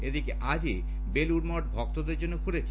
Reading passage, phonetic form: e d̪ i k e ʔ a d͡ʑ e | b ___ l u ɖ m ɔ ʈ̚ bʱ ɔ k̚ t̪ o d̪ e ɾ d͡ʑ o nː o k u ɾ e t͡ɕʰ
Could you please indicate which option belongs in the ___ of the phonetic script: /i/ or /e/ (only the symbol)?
e